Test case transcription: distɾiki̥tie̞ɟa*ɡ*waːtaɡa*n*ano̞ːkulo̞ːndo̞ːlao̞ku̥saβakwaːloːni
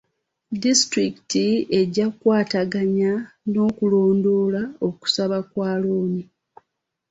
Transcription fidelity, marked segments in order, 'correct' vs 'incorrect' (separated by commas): incorrect, incorrect